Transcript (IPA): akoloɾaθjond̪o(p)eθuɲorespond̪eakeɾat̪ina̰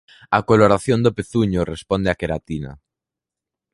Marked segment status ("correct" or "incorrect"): correct